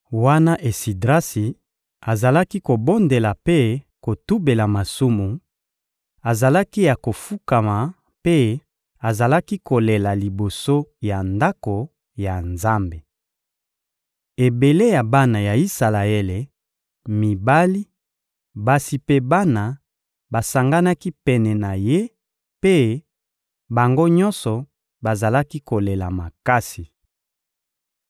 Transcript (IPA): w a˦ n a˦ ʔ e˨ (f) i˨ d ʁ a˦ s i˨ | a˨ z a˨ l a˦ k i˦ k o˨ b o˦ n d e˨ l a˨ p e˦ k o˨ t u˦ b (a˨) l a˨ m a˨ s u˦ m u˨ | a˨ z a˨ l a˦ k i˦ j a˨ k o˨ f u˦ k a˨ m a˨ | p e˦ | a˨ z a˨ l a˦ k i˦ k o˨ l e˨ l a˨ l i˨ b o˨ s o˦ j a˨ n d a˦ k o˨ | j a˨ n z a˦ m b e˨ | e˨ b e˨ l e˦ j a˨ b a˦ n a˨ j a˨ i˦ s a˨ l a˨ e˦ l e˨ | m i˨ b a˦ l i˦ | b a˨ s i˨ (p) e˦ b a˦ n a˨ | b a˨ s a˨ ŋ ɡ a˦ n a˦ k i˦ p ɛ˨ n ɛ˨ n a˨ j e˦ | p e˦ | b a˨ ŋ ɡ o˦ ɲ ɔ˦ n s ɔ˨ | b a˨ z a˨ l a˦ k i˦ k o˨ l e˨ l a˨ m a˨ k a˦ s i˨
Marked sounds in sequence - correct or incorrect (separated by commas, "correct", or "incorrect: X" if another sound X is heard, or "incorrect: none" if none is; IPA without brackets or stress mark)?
incorrect: s, incorrect: e˨, correct